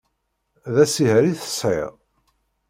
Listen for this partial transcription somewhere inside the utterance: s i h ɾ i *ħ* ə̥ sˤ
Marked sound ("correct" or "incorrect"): incorrect